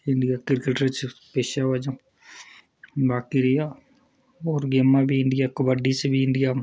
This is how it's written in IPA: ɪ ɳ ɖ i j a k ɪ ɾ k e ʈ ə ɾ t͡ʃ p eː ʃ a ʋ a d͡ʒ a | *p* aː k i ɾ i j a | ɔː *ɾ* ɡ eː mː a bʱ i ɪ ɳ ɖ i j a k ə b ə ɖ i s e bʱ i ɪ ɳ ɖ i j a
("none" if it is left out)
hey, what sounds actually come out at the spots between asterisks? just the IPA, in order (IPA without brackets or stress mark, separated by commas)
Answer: b, ɾ